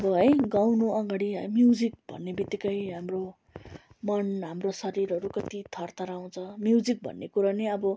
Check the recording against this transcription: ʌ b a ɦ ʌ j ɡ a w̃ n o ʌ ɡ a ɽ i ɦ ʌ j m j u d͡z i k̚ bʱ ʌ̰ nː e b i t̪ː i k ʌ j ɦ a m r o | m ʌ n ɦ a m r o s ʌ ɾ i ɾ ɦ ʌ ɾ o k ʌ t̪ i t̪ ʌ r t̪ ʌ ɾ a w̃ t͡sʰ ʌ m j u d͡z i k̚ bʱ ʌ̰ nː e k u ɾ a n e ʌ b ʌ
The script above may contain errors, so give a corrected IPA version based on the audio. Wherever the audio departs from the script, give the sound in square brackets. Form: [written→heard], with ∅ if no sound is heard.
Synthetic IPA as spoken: ʌ b [a→ʌ] ɦ ʌ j ɡ a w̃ n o ʌ ɡ a ɽ i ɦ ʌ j m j u d͡z i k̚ bʱ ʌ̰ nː e b i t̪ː i k ʌ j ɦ a m r o | m ʌ n ɦ a m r o s ʌ ɾ i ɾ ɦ ʌ ɾ [o→u] k ʌ t̪ i [t̪→t̪ʰ] ʌ r t̪ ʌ ɾ a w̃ t͡sʰ ʌ m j u d͡z i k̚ bʱ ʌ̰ nː e k u ɾ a n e ʌ b ʌ